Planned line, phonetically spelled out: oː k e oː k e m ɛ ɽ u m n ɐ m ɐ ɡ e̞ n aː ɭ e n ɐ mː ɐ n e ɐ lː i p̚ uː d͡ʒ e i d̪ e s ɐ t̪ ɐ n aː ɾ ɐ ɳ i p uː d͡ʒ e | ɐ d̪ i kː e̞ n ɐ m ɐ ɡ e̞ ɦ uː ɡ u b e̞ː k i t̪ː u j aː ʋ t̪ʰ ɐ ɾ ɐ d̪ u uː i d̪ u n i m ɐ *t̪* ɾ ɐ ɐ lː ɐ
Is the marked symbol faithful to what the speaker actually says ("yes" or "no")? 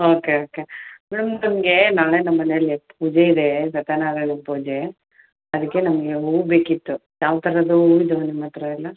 yes